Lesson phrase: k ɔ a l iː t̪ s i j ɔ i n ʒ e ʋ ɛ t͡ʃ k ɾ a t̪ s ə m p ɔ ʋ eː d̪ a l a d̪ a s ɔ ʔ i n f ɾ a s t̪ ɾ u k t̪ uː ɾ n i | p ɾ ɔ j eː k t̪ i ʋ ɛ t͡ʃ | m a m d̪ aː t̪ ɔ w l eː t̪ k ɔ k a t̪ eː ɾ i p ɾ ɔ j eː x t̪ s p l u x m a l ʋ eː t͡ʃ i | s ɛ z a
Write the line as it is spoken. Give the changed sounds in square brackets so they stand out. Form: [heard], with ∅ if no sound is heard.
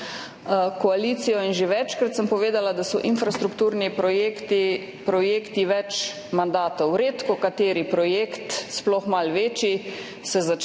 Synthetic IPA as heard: k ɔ a l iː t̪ s i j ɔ i n ʒ e ʋ ɛ t͡ʃ k ɾ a t̪ s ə m p ɔ ʋ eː d̪ a l a d̪ a s ɔ ʔ i n f ɾ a s t̪ ɾ u k t̪ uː ɾ n i | p ɾ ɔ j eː k t̪ i ʋ ɛ t͡ʃ | m a [n] d̪ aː t̪ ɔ w [ɾ] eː t̪ k ɔ k a t̪ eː ɾ i p ɾ ɔ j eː [k] t̪ s p l [ɔ] x m a l ʋ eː t͡ʃ i | s ɛ z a